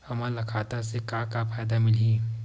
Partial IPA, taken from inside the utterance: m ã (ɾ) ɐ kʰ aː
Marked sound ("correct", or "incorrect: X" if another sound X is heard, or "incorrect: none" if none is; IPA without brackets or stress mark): incorrect: l